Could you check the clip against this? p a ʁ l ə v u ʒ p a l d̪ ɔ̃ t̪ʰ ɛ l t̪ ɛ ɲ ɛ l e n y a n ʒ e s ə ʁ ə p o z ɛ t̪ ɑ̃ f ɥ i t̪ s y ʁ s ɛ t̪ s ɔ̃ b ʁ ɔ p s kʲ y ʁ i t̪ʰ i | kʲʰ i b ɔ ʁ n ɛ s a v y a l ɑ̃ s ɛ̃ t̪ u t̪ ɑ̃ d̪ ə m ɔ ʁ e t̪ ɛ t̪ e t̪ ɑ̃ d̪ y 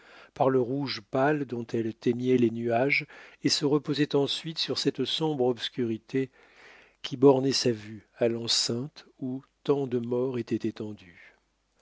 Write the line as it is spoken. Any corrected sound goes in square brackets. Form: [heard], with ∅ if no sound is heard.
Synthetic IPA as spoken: p a ʁ l ə [ʁ] u ʒ p a l d̪ ɔ̃ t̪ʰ ɛ l t̪ ɛ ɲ ɛ l e n y a [∅] ʒ e s ə ʁ ə p o z ɛ t̪ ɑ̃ [s] ɥ i t̪ s y ʁ s ɛ t̪ s ɔ̃ b ʁ ɔ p s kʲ y ʁ i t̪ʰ [e] | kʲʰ i b ɔ ʁ n ɛ s a v y a l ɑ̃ s ɛ̃ t̪ u t̪ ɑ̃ d̪ ə m ɔ ʁ e t̪ ɛ t̪ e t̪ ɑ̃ d̪ y